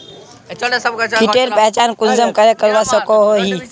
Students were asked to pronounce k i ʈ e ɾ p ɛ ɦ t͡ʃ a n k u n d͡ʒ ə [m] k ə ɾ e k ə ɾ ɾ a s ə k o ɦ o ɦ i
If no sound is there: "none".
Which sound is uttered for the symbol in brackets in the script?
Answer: m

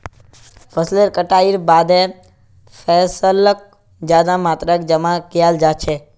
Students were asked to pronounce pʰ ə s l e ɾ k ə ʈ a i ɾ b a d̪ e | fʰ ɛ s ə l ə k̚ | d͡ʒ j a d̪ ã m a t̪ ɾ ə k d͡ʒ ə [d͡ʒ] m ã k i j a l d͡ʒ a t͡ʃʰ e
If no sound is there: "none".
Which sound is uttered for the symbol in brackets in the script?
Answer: none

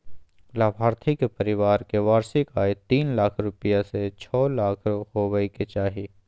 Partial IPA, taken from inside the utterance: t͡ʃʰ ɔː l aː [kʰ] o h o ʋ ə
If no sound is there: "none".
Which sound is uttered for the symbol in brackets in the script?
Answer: kʰ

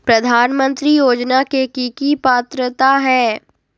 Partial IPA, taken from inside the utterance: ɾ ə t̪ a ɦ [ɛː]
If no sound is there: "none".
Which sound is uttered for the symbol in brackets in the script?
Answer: ɛː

